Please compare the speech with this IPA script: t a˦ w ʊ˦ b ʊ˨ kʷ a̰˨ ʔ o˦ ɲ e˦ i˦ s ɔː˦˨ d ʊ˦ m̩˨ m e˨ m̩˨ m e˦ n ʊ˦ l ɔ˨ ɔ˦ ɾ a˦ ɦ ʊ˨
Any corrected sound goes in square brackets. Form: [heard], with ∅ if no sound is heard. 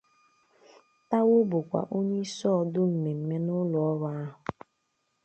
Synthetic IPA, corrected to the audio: t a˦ w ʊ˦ b ʊ˨ kʷ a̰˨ ʔ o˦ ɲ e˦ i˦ s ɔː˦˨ d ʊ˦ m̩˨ m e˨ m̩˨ m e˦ n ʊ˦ l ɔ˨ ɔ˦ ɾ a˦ ɦ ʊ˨